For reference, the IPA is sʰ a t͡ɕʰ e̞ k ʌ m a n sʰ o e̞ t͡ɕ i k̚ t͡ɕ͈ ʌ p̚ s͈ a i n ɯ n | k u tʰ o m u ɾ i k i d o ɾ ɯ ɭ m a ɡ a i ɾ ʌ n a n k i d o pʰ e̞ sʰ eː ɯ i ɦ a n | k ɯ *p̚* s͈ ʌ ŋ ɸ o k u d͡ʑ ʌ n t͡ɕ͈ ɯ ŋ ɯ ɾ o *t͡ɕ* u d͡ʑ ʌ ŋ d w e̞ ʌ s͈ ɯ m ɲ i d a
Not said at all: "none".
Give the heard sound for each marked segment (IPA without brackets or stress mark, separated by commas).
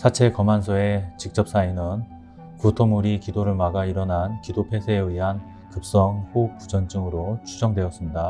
p̚, t͡ɕʰ